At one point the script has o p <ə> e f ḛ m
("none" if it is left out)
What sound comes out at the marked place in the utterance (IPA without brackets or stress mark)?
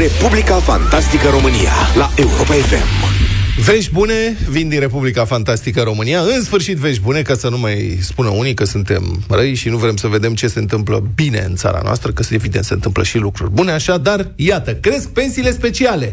a